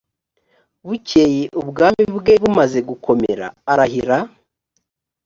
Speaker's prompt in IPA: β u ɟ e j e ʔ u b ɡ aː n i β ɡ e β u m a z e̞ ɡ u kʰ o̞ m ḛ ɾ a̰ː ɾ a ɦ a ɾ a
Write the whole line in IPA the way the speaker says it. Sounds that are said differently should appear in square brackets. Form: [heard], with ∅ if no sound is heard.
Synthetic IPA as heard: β u [c] e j e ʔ u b ɡ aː [m] i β ɡ e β u m a z e̞ ɡ u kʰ o̞ m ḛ ɾ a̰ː ɾ a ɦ [i] ɾ a